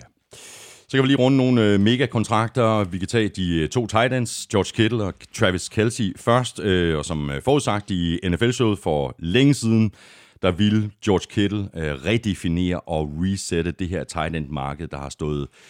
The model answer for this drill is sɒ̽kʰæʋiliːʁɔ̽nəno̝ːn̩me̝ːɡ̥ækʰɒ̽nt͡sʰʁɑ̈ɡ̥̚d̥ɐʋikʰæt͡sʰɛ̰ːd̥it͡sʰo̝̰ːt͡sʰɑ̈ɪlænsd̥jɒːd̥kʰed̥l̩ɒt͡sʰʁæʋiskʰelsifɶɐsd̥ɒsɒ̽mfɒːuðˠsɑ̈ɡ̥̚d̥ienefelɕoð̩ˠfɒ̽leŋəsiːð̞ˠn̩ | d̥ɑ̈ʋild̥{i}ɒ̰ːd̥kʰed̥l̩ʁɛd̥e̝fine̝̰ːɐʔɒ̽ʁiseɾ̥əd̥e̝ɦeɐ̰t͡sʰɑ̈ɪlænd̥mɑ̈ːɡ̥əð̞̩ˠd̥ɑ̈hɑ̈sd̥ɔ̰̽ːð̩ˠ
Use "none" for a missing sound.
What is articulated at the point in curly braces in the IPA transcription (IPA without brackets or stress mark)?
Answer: j